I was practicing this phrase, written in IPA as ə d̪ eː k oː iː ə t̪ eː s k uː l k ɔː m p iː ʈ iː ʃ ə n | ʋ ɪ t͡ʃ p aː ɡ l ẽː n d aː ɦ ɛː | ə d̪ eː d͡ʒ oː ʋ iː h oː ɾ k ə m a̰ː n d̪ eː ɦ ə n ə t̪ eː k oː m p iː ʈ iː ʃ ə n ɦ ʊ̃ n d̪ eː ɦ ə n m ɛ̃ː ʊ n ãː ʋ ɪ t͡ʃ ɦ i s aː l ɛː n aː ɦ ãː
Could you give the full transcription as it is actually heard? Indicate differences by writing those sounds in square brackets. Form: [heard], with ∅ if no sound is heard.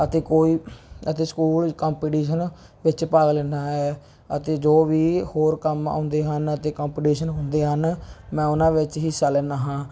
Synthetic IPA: ə [t̪] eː k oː iː ə t̪ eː s k uː l k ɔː m p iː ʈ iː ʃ ə n | ʋ ɪ t͡ʃ p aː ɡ l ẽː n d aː ɦ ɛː | ə [t̪] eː d͡ʒ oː ʋ iː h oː ɾ k ə m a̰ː n d̪ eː ɦ ə n ə t̪ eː k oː m p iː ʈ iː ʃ ə n ɦ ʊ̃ n d̪ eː ɦ ə n m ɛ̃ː ʊ n ãː ʋ ɪ t͡ʃ ɦ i s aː l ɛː n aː ɦ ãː